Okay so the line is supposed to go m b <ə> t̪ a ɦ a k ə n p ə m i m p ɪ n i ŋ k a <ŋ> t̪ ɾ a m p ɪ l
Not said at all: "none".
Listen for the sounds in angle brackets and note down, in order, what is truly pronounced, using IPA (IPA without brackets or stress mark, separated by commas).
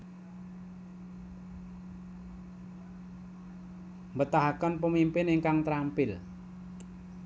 ə, ŋ